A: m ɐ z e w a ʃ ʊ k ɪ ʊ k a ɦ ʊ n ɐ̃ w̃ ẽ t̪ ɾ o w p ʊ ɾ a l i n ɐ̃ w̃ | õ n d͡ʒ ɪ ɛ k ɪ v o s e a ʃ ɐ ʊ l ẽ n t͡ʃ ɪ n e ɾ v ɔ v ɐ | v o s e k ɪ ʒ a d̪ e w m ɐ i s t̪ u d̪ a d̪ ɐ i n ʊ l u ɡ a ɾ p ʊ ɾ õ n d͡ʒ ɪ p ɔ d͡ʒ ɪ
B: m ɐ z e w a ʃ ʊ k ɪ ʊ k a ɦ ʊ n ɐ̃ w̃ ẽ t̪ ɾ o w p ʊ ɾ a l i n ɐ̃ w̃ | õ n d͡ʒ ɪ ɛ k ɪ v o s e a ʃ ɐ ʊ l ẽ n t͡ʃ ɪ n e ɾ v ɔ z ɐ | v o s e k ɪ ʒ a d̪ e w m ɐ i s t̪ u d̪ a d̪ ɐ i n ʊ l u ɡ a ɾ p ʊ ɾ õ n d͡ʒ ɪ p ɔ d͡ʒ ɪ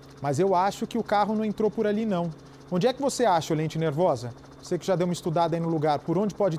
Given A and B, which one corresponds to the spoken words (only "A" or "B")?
B